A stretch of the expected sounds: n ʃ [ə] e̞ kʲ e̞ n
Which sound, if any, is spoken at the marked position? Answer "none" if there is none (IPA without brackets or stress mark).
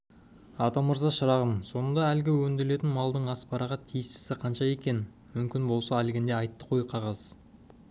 ɑ